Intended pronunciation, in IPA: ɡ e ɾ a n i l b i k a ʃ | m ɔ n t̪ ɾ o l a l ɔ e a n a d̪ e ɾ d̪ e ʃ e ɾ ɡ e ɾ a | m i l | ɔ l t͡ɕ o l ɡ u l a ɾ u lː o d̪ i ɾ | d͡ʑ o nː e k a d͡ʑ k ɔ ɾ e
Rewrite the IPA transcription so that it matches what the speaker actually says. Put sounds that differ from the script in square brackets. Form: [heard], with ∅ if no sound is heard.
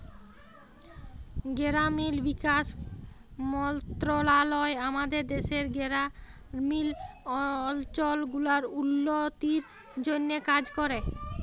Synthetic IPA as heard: ɡ e ɾ a [m] i l b i k a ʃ | m ɔ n t̪ ɾ o l a l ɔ e a [m] a d̪ e ɾ d̪ e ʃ e ɾ ɡ e ɾ a | m i l | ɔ l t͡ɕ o l ɡ u l a ɾ u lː o [t̪] i ɾ | d͡ʑ o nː e k a d͡ʑ k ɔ ɾ e